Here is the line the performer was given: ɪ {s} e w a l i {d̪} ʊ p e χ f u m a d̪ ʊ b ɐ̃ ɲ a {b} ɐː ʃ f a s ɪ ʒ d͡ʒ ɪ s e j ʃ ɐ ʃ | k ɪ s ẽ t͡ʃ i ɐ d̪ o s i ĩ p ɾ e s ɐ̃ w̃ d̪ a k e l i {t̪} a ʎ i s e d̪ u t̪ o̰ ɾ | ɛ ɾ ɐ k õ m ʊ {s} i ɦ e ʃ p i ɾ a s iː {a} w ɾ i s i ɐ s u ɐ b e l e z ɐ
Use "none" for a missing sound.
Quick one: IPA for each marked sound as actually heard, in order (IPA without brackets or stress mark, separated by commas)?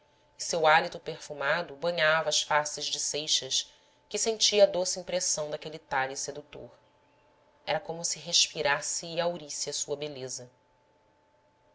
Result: s, t̪, v, t̪, s, a